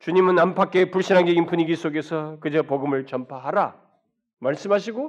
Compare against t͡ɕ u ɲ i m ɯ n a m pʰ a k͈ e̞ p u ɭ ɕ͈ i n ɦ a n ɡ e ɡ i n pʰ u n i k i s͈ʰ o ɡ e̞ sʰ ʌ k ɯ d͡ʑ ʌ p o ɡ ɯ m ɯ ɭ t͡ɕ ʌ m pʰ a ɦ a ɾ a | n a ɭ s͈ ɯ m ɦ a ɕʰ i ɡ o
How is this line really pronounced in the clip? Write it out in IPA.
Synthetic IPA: t͡ɕ u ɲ i m ɯ n a m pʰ a k͈ e̞ p u ɭ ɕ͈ i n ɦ a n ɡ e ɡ i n p u ɲ i ɡ i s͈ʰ o ɡ e̞ sʰ ʌ k ɯ d͡ʑ ʌ p o ɡ ɯ m ɯ ɭ t͡ɕ ʌ m pʰ a ɦ a ɾ a | m a ɭ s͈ ɯ m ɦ a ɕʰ i ɡ o